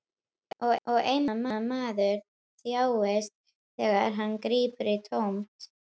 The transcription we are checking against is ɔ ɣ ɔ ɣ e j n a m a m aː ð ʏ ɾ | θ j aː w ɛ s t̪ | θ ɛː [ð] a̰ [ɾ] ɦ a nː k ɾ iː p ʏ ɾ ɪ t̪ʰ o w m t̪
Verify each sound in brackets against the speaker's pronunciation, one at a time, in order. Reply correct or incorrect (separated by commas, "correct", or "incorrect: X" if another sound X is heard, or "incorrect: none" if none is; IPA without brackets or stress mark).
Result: incorrect: ɣ, correct